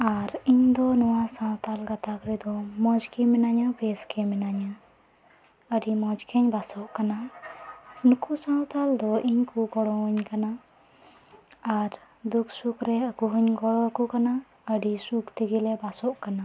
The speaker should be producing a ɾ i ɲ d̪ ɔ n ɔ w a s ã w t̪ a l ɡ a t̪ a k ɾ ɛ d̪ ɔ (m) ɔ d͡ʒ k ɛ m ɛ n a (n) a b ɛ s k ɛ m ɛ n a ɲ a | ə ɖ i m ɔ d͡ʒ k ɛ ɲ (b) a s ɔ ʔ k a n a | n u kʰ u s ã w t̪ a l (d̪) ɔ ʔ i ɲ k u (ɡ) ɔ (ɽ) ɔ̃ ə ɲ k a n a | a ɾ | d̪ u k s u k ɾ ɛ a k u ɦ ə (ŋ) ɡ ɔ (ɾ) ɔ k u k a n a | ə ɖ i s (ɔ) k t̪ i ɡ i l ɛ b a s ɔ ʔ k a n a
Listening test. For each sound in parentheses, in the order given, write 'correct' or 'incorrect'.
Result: correct, incorrect: ɲ, correct, correct, correct, correct, incorrect: ɲ, incorrect: ɽ, incorrect: u

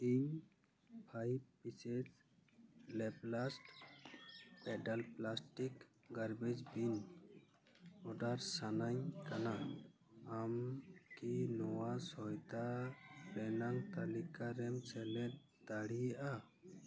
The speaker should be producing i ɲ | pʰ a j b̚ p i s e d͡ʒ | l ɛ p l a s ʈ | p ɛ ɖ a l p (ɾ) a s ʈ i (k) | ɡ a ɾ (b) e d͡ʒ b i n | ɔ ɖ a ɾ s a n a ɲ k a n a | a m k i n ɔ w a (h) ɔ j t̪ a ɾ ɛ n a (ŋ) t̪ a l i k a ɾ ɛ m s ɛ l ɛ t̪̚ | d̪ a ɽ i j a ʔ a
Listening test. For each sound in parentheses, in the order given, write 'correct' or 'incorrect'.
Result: incorrect: l, correct, correct, incorrect: s, correct

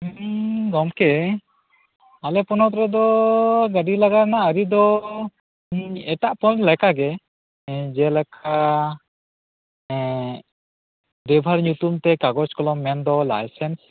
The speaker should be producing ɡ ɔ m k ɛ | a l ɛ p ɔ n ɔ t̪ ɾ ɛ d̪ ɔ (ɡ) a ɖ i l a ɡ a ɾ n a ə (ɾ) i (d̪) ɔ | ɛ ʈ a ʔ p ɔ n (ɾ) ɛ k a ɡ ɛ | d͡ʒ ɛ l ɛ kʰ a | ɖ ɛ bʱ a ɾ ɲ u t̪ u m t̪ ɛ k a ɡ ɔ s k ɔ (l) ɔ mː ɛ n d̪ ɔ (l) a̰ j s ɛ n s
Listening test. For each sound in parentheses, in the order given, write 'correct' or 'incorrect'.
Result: correct, correct, correct, incorrect: l, correct, correct

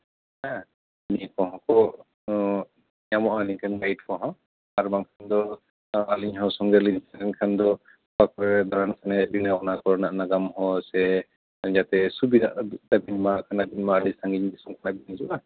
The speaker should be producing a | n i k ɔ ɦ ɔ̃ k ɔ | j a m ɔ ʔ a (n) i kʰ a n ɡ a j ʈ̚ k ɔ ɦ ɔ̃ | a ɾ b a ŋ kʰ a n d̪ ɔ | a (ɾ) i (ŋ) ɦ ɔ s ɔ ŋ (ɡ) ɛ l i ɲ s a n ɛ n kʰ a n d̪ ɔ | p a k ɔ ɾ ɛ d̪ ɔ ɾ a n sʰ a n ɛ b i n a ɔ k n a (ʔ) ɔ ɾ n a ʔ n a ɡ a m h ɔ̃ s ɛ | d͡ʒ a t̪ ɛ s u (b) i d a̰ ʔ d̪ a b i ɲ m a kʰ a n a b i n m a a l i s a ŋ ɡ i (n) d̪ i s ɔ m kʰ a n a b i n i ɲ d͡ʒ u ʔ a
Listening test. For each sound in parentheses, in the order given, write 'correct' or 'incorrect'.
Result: correct, incorrect: l, incorrect: ɲ, correct, incorrect: k, correct, incorrect: ɲ

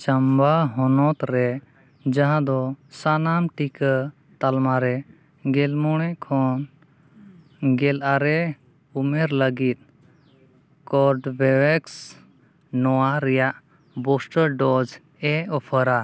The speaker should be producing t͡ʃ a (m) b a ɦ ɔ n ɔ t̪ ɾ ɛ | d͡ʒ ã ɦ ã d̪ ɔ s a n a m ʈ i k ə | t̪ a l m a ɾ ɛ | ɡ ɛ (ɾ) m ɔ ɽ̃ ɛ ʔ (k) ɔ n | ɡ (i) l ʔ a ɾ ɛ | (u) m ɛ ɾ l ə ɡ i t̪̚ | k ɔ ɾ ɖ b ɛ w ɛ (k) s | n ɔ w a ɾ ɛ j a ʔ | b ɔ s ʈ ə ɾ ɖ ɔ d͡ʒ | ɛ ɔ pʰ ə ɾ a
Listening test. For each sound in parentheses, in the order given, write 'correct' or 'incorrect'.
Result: correct, incorrect: l, incorrect: kʰ, incorrect: ɛ, correct, correct

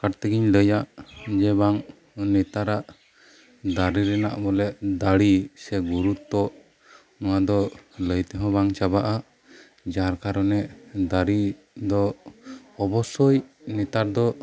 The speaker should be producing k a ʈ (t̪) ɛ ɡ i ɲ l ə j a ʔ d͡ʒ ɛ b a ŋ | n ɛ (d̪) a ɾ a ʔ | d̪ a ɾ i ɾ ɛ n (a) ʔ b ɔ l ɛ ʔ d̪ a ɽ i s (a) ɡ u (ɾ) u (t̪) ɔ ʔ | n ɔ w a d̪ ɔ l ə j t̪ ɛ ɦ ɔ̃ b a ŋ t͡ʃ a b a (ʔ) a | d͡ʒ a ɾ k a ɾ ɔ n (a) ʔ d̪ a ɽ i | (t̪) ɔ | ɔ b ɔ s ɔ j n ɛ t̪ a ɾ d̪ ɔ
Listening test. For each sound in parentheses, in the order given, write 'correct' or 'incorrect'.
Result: correct, incorrect: t̪, correct, incorrect: ɛ, correct, correct, correct, incorrect: ɛ, incorrect: d̪

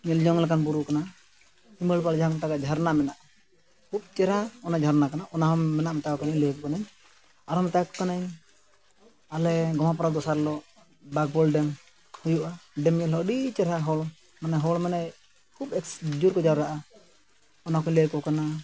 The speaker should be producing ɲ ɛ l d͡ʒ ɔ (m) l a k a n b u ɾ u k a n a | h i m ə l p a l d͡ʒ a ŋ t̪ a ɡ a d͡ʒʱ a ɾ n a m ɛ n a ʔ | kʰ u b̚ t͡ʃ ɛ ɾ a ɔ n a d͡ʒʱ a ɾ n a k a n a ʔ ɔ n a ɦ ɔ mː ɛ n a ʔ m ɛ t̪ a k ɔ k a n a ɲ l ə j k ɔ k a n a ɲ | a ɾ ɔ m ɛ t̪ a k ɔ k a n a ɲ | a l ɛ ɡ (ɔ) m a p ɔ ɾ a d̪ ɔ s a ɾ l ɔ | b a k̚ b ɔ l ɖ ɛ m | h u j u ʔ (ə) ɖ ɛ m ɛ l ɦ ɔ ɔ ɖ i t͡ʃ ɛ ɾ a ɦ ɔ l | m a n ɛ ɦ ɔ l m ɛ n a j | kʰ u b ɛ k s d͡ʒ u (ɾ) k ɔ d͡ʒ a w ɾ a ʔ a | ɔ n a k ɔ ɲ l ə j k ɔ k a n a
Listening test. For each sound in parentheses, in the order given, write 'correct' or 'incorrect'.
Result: incorrect: ŋ, correct, incorrect: a, correct

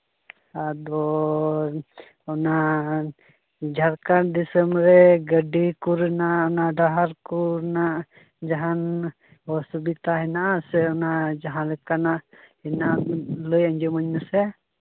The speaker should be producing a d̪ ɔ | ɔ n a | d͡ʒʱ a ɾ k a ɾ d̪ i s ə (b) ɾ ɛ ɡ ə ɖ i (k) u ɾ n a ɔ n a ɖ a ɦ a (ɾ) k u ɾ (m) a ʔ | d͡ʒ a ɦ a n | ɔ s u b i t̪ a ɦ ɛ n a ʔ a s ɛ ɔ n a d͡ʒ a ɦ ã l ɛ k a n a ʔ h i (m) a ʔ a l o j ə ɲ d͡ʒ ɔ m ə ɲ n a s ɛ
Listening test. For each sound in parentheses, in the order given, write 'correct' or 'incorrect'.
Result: incorrect: m, correct, correct, incorrect: n, incorrect: n

